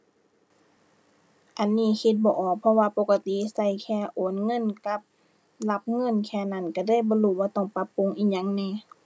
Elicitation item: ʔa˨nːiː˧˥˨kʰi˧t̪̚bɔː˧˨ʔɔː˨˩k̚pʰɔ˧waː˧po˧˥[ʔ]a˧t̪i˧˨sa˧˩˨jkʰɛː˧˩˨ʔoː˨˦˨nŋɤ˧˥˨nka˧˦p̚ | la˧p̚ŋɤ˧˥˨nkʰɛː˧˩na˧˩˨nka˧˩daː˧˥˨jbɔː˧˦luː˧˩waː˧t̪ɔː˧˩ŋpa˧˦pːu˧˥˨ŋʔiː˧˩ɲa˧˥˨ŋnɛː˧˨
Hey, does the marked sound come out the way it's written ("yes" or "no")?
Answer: no